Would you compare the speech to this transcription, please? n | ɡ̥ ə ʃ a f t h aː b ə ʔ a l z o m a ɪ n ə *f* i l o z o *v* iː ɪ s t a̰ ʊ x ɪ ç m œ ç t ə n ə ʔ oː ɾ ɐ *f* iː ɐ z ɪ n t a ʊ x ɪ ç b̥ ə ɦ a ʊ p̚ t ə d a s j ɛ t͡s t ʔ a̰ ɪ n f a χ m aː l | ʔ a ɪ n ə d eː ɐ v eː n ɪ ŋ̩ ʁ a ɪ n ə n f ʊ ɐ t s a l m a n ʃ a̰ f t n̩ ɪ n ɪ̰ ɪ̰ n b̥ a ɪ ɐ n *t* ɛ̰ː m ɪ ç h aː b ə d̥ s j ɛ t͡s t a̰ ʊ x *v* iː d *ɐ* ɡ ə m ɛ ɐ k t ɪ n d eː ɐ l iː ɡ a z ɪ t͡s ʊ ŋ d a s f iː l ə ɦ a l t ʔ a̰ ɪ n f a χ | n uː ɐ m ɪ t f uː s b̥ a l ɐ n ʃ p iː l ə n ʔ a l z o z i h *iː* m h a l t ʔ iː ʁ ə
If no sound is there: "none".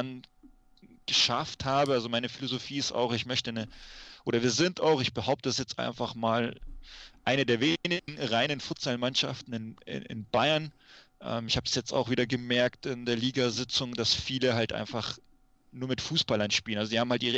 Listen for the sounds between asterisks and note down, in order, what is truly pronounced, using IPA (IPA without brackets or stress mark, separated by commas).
f, f, v, ʔ, v, ɐ, aː